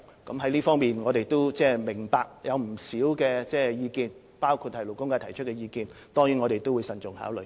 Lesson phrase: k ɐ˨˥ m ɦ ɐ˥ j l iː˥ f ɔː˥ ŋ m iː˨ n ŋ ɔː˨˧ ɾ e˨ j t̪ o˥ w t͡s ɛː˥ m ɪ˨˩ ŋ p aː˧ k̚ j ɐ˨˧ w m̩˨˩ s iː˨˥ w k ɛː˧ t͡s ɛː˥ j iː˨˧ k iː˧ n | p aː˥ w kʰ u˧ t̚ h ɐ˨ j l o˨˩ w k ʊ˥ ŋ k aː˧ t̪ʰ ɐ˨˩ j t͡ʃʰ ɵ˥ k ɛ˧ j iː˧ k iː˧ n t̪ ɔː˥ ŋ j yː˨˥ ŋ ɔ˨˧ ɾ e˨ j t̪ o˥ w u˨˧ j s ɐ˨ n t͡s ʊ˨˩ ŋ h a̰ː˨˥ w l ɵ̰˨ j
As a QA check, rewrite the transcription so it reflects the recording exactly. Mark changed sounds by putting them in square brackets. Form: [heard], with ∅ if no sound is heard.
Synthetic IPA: k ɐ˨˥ m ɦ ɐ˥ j l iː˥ f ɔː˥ ŋ m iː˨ n ŋ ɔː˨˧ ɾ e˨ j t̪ o˥ w t͡s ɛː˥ m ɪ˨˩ ŋ p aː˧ k̚ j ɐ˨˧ w m̩˨˩ s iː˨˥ w k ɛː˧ t͡s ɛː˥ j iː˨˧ k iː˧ n | p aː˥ w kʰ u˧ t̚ h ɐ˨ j l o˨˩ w k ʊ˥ ŋ k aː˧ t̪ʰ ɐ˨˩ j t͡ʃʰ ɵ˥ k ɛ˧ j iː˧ k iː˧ n t̪ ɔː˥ ŋ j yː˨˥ ŋ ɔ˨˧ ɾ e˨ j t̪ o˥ w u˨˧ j s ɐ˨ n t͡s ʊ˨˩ ŋ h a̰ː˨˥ w l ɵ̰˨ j

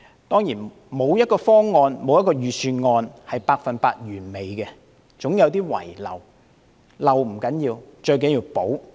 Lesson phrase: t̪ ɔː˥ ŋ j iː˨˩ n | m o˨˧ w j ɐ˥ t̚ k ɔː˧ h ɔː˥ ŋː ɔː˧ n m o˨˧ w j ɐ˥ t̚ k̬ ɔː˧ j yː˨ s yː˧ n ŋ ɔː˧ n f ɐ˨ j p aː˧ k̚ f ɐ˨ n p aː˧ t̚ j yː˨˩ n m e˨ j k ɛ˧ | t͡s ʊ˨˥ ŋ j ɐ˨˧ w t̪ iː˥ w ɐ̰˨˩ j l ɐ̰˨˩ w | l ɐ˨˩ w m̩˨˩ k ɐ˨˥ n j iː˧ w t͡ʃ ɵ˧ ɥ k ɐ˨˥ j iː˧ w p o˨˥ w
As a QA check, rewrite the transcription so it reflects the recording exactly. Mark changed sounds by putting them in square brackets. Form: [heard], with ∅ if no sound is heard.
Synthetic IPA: t̪ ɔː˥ ŋ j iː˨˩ n | m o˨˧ w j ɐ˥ t̚ k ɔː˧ [f] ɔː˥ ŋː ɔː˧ n m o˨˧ w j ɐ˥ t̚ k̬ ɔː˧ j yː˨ s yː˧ n ŋ ɔː˧ n [h] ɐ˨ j p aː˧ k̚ f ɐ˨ n p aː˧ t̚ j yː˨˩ n m e˨ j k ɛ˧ | t͡s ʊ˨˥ ŋ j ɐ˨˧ w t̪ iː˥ w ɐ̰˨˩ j l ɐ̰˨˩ w | l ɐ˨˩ w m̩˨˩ k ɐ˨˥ n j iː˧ w t͡ʃ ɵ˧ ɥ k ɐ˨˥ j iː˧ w p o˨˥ w

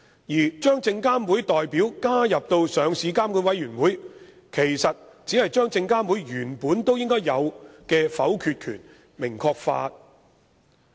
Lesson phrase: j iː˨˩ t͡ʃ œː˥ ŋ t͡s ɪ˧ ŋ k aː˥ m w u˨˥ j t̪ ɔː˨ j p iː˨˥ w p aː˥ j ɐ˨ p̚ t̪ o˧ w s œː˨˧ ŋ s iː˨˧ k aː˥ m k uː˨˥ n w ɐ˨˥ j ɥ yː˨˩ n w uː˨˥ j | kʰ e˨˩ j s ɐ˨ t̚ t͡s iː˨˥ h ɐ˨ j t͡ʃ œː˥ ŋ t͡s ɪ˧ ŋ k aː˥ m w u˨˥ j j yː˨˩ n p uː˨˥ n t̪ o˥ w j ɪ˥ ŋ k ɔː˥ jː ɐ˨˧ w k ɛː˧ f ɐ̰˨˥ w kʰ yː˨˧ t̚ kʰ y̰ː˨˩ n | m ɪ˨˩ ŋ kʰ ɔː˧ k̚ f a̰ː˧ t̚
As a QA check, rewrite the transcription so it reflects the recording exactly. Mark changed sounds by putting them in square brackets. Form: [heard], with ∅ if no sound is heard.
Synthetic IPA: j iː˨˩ t͡ʃ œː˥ ŋ t͡s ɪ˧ ŋ k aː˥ m w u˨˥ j t̪ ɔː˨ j p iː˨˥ w [k] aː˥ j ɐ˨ p̚ t̪ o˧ w s œː˨˧ ŋ s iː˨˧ k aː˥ m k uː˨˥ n w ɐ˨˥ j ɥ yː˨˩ n w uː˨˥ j | kʰ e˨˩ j s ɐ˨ t̚ t͡s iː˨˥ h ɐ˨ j t͡ʃ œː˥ ŋ t͡s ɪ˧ ŋ k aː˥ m w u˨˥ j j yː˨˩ n p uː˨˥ n t̪ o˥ w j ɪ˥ ŋ k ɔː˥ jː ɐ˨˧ w k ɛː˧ f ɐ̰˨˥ w kʰ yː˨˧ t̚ kʰ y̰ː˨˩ n | m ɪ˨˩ ŋ kʰ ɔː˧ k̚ f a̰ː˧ t̚

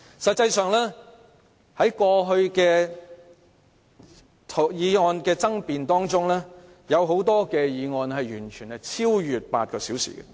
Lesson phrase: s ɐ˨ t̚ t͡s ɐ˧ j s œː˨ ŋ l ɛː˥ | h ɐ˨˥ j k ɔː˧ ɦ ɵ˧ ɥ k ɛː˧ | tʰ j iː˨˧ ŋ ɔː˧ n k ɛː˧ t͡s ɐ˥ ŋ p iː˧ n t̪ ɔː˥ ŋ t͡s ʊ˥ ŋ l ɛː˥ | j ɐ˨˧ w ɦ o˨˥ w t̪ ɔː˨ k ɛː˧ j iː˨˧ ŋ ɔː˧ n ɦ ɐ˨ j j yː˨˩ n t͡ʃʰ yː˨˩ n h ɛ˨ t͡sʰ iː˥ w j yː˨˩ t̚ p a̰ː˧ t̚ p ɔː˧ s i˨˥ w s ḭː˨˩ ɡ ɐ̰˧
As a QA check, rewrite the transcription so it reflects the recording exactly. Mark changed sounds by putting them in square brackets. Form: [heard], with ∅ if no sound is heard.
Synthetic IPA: s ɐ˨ t̚ t͡s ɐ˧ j s œː˨ ŋ l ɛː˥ | h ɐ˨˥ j k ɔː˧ ɦ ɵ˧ ɥ k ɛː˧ | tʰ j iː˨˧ ŋ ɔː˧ n k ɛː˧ t͡s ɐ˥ ŋ p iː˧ n t̪ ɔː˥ ŋ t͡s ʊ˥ ŋ l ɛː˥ | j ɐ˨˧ w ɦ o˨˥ w t̪ [ɔː˥] k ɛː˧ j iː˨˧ ŋ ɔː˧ n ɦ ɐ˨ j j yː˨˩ n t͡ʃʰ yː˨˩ n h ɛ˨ t͡sʰ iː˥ w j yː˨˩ t̚ p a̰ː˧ t̚ [k] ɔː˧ s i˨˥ w s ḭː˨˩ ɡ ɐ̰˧

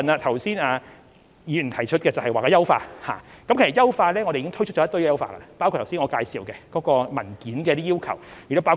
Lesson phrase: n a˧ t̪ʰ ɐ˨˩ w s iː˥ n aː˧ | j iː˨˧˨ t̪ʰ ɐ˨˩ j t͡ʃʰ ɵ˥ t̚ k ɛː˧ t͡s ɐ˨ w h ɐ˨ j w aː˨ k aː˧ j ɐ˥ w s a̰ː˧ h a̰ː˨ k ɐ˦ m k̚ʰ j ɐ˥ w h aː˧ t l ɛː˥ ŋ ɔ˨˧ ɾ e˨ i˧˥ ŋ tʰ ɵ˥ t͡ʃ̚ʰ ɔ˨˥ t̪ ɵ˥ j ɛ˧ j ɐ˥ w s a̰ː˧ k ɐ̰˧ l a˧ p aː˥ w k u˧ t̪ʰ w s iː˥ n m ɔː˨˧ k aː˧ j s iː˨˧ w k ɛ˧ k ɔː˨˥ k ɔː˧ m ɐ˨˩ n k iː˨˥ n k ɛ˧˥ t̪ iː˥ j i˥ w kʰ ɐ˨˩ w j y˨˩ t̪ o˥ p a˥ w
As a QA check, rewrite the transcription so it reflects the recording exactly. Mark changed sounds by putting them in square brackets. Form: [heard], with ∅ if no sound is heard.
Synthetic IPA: n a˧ t̪ʰ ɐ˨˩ w s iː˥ n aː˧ | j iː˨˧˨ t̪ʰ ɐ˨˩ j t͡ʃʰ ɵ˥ t̚ k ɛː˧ t͡s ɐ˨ w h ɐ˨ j w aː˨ k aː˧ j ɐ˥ w [f] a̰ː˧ h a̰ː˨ k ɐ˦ m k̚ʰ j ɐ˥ w [f] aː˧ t l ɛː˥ ŋ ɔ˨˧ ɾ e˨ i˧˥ ŋ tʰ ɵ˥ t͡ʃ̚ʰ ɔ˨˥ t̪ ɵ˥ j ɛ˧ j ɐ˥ w [f] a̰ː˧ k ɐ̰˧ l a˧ p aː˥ w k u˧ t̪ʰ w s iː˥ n [ŋ] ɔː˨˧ k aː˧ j s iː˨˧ w k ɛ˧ k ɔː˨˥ k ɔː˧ m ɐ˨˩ n k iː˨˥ n k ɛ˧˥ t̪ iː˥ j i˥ w kʰ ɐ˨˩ w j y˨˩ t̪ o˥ p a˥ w

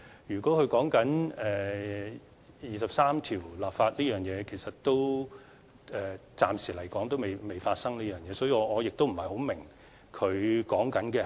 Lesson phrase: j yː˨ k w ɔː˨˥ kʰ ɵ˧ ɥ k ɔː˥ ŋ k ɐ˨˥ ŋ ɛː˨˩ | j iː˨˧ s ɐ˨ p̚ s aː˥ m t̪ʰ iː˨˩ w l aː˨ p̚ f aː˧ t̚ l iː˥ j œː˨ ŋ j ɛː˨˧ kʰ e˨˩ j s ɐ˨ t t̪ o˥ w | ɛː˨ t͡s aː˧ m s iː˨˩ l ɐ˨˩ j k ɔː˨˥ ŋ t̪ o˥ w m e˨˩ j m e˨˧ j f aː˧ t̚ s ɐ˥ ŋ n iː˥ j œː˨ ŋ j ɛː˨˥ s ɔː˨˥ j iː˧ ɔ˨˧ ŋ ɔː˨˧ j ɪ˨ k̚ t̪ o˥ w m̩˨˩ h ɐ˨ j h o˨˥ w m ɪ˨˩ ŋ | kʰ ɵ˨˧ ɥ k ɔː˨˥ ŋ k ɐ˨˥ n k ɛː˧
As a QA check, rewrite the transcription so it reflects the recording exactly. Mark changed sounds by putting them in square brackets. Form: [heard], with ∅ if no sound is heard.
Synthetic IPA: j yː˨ k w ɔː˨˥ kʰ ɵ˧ ɥ k [ɔː˨˥] ŋ k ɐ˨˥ [n] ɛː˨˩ | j iː˨˧ s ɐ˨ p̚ s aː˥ m t̪ʰ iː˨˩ w l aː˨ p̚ f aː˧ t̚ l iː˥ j œː˨ ŋ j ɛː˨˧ kʰ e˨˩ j s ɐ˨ t t̪ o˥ w | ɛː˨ t͡s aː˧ m s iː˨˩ l ɐ˨˩ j k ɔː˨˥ ŋ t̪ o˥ w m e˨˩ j m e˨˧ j f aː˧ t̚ s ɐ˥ ŋ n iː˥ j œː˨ ŋ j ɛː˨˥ s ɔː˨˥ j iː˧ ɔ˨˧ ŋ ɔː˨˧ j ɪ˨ k̚ t̪ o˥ w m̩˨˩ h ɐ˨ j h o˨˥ w m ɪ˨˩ ŋ | kʰ ɵ˨˧ ɥ k ɔː˨˥ ŋ k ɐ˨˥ n k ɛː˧

